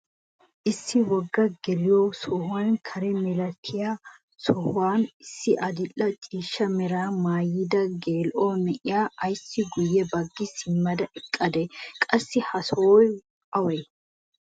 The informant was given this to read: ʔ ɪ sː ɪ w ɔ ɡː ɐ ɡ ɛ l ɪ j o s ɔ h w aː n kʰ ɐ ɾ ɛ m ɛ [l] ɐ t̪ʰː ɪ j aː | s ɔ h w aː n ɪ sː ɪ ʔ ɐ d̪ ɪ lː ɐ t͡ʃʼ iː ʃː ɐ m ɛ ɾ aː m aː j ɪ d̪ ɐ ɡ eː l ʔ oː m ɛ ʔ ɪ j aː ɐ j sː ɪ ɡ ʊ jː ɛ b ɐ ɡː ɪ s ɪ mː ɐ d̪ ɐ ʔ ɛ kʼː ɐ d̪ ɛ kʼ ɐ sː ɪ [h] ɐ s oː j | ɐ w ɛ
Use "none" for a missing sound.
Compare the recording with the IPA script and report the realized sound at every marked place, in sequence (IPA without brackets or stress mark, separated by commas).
l, h